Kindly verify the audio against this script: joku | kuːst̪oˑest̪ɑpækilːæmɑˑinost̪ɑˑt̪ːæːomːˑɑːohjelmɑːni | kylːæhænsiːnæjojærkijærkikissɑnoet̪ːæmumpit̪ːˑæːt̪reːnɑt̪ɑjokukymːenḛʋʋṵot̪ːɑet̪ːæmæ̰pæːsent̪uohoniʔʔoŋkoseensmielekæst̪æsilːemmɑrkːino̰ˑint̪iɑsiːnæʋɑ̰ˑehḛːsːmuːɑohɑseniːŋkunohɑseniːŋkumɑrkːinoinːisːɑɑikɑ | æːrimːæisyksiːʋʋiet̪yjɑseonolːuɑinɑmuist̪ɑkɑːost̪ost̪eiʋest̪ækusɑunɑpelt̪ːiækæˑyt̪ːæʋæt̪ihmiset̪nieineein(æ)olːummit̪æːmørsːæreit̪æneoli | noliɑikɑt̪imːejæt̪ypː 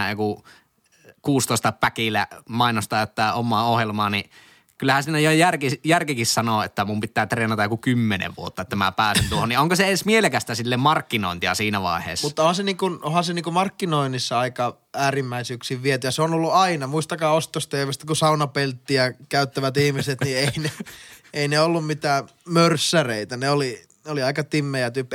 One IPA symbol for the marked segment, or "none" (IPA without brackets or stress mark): e